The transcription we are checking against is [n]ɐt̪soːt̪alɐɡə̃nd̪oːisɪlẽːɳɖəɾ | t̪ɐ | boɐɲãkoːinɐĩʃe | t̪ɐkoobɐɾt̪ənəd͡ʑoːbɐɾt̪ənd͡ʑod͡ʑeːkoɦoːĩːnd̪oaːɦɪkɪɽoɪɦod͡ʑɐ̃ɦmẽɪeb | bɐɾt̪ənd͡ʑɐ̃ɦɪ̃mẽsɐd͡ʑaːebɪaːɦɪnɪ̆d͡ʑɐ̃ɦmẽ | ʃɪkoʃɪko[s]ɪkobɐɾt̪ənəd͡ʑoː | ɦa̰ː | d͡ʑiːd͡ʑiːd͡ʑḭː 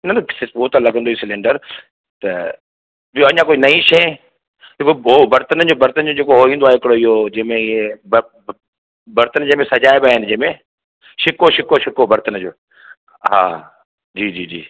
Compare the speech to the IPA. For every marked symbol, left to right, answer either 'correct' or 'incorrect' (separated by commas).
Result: correct, incorrect